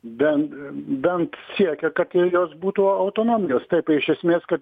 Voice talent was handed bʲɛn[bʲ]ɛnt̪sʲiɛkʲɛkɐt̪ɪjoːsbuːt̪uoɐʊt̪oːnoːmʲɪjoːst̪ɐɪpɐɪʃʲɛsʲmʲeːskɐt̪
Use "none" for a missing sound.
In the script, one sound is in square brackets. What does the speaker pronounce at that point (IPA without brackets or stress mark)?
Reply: bʲ